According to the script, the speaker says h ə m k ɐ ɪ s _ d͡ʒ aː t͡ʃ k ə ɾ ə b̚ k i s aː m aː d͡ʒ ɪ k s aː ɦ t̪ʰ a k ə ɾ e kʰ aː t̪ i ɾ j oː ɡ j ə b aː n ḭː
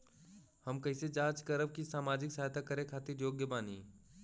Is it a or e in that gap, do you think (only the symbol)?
e